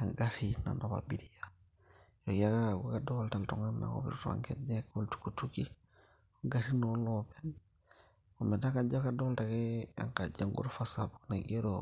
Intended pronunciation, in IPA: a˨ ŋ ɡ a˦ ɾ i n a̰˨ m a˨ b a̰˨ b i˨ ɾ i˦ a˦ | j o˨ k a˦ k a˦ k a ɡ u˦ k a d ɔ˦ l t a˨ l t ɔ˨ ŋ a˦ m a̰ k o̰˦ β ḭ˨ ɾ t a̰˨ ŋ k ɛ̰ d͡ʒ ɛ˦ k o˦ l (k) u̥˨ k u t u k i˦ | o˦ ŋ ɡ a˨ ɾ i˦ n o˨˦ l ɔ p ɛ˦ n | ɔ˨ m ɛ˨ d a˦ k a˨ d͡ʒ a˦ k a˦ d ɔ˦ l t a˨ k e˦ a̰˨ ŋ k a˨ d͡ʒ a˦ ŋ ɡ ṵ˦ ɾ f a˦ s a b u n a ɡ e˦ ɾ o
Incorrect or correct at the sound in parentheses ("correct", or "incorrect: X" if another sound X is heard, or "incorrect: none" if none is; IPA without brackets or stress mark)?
incorrect: t